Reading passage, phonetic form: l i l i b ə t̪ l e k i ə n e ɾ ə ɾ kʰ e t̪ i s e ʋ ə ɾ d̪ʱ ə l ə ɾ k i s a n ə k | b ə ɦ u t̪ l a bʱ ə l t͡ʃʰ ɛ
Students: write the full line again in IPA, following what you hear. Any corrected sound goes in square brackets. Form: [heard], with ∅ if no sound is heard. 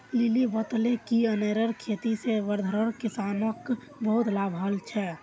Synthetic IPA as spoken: l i l i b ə t̪ l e k i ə n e ɾ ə ɾ kʰ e t̪ i s e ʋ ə ɾ d̪ʱ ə [ɾ] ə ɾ k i s a n ə k | b ə ɦ u t̪ l a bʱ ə l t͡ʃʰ ɛ

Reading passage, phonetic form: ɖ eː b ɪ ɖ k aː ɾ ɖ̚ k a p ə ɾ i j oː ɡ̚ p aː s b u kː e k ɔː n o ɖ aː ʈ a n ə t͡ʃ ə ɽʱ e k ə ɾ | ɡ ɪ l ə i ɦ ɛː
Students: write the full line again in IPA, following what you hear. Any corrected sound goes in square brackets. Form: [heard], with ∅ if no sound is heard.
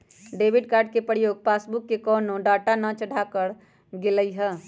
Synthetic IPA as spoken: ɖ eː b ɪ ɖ k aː ɾ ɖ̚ k [e] p ə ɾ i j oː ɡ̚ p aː s b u kː e k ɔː n o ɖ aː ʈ a n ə t͡ʃ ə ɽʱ [a] k ə ɾ | ɡ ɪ l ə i ɦ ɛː

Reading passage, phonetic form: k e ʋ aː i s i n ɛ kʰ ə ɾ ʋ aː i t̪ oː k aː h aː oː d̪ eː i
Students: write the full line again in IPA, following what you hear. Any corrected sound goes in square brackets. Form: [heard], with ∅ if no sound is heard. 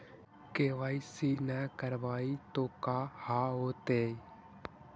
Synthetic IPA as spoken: k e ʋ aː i s i n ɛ [k] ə ɾ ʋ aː i t̪ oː k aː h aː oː [t̪] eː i

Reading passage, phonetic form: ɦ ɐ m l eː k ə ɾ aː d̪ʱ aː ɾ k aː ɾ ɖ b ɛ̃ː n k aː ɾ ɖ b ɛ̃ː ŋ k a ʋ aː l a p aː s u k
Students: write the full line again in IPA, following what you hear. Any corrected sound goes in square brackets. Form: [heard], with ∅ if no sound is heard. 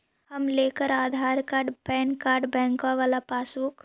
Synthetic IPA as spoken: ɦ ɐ m l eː k ə ɾ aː d̪ʱ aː ɾ k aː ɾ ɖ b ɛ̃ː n k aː ɾ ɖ b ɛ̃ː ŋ k a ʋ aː l a p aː s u k

